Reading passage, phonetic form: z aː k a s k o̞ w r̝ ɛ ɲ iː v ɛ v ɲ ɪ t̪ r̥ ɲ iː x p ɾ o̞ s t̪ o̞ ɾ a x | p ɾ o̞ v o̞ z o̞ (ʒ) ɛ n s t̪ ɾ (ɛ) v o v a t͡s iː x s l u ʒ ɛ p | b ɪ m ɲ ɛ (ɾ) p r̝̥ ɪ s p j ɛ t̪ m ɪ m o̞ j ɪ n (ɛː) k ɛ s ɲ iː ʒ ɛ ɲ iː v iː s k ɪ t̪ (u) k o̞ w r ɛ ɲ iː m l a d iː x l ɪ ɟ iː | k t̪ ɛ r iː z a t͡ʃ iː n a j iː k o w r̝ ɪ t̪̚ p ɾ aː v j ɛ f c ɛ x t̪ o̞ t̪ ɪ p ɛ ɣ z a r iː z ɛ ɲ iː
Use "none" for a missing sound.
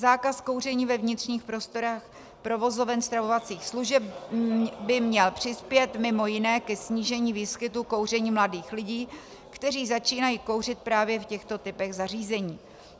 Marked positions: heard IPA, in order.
v, a, l, ɛː, u

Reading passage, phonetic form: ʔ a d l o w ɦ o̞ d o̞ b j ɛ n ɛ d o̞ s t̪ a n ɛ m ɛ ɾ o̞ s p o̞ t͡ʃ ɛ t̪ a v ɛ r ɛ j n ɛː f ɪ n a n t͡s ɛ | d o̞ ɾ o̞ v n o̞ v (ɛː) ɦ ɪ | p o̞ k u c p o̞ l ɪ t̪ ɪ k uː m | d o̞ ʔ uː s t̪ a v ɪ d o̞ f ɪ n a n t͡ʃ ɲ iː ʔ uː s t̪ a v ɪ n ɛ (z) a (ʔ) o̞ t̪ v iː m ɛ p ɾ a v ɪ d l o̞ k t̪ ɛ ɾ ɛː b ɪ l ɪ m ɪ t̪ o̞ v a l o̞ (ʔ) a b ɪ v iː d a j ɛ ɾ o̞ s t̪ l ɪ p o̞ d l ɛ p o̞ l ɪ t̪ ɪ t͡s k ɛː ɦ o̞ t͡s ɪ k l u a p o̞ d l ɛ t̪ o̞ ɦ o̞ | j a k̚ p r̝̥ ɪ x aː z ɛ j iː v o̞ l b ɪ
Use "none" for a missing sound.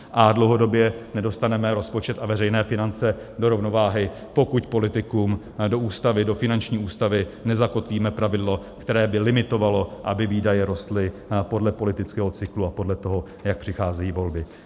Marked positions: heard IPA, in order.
aː, z, k, ʔ

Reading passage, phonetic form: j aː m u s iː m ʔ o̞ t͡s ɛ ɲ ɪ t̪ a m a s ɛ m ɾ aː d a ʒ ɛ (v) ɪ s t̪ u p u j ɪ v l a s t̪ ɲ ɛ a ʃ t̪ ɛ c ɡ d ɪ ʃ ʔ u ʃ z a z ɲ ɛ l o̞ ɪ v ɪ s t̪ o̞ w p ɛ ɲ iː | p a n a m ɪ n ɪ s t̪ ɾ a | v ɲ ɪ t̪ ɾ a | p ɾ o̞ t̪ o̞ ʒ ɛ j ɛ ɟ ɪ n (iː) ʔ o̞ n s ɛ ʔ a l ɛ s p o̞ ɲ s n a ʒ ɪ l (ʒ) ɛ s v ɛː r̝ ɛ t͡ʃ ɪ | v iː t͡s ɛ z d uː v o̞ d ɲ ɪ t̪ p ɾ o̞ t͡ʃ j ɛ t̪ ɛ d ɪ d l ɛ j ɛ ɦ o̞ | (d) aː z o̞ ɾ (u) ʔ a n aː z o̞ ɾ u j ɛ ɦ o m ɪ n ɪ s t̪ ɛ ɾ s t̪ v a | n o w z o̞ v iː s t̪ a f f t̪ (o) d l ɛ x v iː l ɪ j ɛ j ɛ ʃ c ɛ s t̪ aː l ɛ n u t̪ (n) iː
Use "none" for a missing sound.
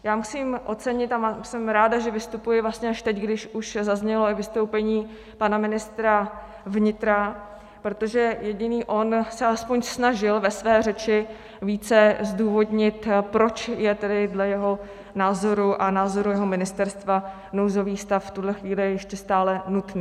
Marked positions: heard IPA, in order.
v, iː, v, n, u, u, n

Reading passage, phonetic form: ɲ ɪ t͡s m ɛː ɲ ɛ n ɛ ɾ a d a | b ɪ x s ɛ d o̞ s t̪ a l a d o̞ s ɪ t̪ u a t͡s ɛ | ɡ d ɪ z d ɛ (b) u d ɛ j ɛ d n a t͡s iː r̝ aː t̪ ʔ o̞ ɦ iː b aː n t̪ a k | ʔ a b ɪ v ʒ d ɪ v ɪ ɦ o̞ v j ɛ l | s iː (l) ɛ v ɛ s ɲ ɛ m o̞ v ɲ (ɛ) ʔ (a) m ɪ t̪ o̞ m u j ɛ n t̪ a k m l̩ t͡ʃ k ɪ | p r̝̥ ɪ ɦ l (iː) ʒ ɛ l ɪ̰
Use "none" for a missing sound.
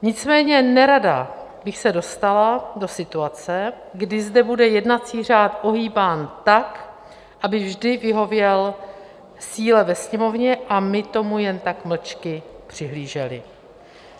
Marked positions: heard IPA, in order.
b, l, ɛ, a, iː

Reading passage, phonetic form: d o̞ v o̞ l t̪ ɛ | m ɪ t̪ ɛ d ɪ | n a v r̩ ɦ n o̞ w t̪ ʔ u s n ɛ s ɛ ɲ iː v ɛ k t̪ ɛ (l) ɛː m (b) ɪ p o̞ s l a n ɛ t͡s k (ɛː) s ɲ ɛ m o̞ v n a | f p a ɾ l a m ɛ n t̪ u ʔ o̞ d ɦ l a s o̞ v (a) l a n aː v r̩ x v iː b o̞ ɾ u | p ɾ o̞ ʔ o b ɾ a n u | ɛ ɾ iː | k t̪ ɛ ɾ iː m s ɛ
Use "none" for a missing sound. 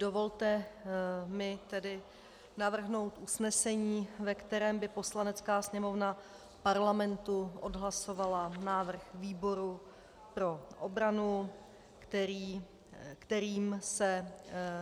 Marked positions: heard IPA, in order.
ɾ, b, aː, a

